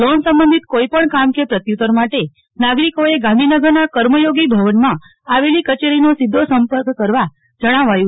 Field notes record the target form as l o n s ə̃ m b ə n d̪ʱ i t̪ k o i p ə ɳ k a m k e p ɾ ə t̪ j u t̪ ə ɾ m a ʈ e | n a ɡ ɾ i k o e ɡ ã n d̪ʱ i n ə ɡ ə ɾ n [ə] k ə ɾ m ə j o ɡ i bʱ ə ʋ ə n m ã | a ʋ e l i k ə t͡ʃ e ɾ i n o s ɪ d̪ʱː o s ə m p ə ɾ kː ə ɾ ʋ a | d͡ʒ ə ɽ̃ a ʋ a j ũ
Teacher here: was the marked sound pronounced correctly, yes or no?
no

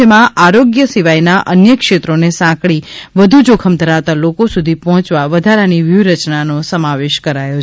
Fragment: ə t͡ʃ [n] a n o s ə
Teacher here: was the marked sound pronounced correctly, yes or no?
yes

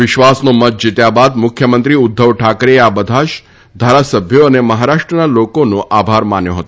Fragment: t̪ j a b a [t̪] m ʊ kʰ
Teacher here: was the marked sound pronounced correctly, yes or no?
no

